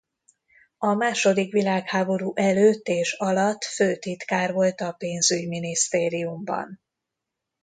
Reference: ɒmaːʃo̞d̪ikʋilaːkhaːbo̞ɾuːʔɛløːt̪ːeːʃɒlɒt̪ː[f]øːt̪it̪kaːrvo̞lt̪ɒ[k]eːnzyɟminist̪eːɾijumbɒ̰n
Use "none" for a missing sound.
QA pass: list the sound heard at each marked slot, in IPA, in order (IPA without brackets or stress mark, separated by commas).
f, p